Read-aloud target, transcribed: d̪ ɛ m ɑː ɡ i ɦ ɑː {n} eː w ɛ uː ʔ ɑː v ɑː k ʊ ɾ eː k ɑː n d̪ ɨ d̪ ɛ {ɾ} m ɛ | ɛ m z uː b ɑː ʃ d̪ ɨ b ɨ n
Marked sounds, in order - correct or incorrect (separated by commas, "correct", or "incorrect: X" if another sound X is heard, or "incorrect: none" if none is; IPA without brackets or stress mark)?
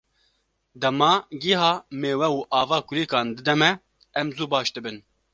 incorrect: m, incorrect: none